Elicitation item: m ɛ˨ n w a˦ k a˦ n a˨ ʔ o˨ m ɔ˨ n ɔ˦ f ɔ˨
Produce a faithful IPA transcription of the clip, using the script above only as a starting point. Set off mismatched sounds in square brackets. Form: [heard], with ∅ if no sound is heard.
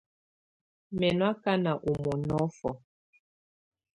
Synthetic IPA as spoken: m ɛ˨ n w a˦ k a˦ n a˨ ʔ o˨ m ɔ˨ n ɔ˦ f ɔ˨